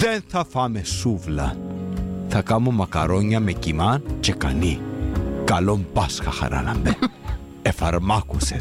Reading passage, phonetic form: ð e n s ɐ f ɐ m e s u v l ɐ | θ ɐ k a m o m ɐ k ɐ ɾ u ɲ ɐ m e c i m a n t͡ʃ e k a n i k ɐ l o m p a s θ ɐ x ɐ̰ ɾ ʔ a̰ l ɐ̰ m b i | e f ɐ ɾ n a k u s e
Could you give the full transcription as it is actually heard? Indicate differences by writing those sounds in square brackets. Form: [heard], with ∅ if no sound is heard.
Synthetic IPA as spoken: ð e n [θ] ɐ f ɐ m e s u v l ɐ | θ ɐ k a m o m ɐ k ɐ ɾ [o] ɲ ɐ m e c i m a n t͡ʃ e k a n i k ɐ l o m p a s [x] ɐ x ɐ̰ ɾ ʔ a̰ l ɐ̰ m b [e] | e f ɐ ɾ [m] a k u s e